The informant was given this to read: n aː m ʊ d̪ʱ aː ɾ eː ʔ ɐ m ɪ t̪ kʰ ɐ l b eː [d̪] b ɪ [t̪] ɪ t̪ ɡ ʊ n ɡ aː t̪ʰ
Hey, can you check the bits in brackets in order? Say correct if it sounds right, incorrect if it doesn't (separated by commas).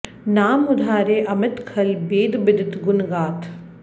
correct, incorrect